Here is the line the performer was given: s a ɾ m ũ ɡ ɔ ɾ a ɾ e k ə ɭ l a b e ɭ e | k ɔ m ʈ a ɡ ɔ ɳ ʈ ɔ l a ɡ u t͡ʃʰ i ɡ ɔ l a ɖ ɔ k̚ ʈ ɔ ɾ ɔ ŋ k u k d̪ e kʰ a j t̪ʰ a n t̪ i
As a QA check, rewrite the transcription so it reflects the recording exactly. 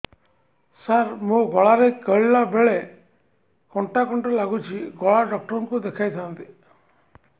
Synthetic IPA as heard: s a ɾ m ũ ɡ ɔ ɭ a ɾ e k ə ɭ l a b e ɭ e | k ɔ ɳ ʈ a k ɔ ɳ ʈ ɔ l a ɡ u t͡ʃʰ i ɡ ɔ ɭ a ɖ ɔ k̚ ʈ ɔ ɾ ɔ ŋ k u d̪ e kʰ a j t̪ʰ a n t̪ i